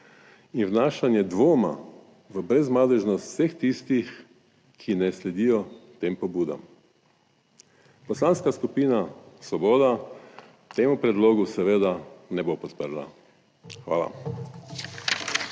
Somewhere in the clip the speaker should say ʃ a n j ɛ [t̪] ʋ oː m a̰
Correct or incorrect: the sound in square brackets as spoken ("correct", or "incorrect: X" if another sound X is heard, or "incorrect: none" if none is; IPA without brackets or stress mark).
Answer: incorrect: d̪